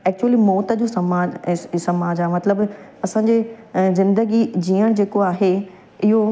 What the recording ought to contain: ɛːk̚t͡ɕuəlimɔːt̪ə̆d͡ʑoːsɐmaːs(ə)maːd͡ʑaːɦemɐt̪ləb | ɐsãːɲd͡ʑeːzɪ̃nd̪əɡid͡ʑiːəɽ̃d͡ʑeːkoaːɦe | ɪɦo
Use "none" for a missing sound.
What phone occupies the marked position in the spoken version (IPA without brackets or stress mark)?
ɐ